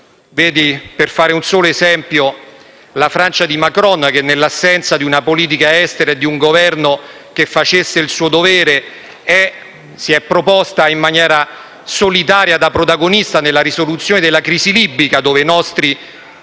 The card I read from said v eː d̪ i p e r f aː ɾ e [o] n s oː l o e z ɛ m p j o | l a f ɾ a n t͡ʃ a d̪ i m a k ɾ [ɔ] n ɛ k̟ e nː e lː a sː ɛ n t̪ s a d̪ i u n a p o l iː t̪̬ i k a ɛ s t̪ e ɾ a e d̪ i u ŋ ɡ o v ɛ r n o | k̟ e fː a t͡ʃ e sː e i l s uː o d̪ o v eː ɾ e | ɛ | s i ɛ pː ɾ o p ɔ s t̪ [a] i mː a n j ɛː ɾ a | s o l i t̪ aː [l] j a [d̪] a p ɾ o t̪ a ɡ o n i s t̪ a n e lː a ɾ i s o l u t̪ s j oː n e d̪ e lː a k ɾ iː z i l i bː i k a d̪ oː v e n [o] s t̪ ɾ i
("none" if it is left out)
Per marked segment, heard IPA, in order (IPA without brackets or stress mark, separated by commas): u, ɔ, a, ɾ, d̪, ɔ